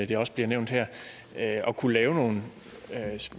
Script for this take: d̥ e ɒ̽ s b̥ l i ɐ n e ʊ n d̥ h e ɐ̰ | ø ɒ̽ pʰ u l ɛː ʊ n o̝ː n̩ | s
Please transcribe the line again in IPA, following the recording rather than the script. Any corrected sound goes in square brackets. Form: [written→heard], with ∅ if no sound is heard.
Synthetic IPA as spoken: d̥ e ɒ̽ s b̥ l i ɐ n e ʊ n d̥ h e ɐ̰ | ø ɒ̽ [pʰ→kʰ] u l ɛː ʊ n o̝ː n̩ | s